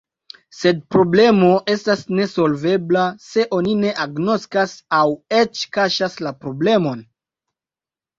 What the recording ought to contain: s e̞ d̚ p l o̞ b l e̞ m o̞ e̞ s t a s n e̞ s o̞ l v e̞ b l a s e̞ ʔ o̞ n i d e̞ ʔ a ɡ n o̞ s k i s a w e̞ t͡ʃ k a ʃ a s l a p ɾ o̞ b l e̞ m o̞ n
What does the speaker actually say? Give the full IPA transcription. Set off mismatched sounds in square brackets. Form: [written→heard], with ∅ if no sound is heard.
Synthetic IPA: s e̞ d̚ p [l→ɾ] o̞ b l e̞ m o̞ e̞ s t a s n e̞ s o̞ l v e̞ b l a s e̞ ʔ o̞ n i [d→n] e̞ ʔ a ɡ n o̞ s k [i→a] s a w e̞ t͡ʃ k a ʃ a s l a p ɾ o̞ b l e̞ m o̞ n